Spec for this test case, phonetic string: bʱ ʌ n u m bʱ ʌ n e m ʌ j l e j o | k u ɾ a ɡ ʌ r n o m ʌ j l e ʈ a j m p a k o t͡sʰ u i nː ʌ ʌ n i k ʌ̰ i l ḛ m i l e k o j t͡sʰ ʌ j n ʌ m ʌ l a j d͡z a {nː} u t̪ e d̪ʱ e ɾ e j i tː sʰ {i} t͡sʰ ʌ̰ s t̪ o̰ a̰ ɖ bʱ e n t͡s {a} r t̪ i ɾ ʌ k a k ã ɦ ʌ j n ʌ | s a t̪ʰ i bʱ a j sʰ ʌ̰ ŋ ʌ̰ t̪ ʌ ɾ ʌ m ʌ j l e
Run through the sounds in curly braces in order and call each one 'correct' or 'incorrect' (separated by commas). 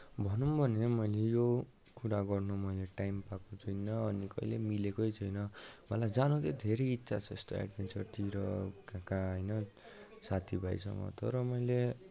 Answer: incorrect, incorrect, incorrect